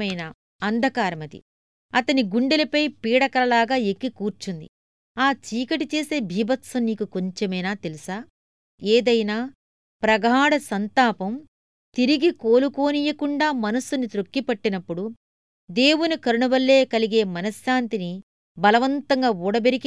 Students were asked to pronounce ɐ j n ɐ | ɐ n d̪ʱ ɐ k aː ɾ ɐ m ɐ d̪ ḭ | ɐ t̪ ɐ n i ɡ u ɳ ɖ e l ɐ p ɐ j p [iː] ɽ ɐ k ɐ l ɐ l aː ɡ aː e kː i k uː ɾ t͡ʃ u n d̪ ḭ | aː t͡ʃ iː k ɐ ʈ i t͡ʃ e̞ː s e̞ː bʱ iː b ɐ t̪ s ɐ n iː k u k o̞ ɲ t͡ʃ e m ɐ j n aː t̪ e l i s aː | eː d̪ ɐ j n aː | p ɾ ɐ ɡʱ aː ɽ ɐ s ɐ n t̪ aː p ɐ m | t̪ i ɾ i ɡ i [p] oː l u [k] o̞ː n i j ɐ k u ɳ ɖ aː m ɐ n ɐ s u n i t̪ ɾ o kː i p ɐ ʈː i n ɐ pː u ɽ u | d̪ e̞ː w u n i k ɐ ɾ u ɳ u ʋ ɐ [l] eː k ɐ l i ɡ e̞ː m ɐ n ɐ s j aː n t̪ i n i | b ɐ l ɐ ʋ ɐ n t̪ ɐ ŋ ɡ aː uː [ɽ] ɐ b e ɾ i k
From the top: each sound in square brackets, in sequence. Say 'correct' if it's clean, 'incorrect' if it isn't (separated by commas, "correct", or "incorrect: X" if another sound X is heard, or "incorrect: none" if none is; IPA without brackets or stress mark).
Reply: correct, incorrect: k, correct, incorrect: lː, correct